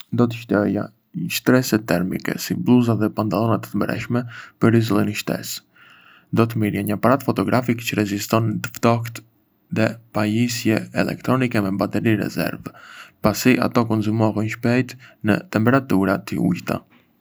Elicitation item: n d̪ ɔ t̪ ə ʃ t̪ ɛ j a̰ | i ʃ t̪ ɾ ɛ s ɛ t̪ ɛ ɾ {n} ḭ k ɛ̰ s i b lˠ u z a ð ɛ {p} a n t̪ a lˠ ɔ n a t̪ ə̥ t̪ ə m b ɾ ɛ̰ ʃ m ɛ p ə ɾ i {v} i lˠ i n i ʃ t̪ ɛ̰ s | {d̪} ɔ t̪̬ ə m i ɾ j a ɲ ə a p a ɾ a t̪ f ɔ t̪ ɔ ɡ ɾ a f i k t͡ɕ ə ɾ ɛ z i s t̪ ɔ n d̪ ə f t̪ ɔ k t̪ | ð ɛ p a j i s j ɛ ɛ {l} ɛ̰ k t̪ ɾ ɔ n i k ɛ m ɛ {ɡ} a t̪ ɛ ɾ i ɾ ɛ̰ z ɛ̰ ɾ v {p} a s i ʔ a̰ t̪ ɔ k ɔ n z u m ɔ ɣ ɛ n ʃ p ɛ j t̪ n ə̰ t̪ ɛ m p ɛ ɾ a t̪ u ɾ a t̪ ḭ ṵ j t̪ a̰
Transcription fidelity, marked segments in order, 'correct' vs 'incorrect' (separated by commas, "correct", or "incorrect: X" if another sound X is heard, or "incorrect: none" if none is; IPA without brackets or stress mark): incorrect: m, correct, incorrect: z, correct, correct, incorrect: b, correct